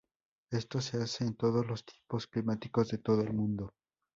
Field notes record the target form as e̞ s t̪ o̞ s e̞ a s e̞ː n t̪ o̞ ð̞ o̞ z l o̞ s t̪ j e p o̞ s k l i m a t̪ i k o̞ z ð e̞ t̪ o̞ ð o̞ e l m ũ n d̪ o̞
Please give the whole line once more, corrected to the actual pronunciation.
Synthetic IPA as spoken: e̞ s t̪ o̞ s e̞ a s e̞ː n t̪ o̞ ð̞ o̞ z l o̞ s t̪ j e p o̞ s k l i m a t̪ i k o̞ z ð e̞ t̪ o̞ ð o̞ e l m ũ n d̪ o̞